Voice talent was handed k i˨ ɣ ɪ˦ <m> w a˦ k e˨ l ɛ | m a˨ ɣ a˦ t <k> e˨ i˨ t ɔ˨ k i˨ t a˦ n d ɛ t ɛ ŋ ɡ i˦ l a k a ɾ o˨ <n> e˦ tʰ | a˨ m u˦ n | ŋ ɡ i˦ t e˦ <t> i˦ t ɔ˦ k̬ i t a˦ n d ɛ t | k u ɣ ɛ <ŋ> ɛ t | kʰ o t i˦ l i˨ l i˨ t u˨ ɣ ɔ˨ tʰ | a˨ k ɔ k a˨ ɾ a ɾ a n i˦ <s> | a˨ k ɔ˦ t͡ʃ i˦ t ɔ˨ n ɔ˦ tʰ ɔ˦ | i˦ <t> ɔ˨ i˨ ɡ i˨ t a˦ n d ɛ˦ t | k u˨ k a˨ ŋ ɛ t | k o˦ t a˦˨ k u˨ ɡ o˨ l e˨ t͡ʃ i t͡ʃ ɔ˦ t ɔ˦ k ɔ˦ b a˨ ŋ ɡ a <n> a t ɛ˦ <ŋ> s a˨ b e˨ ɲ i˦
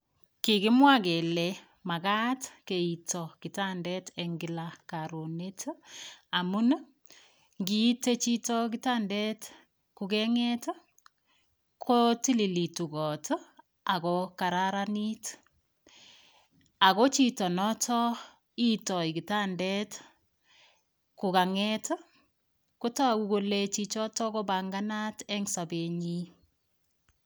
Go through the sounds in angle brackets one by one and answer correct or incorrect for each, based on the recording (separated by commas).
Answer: correct, correct, correct, incorrect, correct, incorrect, correct, correct, correct